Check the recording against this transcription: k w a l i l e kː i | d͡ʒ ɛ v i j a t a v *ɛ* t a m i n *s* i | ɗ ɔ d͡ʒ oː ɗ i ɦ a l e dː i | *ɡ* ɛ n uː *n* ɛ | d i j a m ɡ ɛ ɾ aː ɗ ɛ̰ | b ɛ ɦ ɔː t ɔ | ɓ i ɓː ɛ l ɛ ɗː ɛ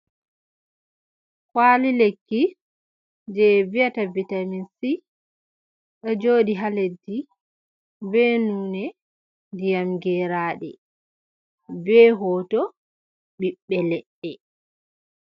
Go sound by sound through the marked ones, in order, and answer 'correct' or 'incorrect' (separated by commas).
incorrect, correct, incorrect, correct